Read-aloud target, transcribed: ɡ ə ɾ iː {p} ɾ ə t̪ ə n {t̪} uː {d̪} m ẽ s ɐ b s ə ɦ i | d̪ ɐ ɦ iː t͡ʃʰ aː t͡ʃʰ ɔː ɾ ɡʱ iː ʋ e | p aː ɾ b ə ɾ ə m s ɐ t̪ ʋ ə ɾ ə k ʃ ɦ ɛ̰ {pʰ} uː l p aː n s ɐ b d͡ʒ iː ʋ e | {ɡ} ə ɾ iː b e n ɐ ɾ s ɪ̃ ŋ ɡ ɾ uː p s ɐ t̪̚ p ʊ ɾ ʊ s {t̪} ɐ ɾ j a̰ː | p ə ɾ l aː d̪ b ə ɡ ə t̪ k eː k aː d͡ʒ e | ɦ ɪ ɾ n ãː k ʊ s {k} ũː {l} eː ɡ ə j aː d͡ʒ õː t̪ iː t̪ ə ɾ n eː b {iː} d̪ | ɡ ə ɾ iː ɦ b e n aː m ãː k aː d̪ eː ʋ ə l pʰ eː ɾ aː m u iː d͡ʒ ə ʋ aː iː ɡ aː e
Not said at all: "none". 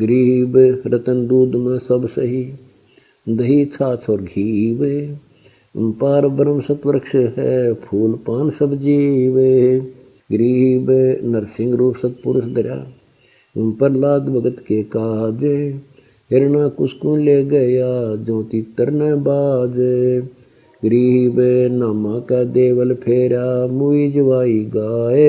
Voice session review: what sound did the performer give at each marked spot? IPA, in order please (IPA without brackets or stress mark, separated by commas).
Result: b, d̪, d̪, pʰ, ɡ, d̪, k, l, aː